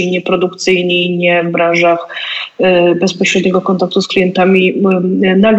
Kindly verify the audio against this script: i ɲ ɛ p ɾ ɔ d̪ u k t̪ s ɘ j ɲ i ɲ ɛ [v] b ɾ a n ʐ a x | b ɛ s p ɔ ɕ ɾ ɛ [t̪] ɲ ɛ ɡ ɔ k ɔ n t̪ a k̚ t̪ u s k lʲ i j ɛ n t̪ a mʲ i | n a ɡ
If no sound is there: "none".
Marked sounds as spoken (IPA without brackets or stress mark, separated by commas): v, d̪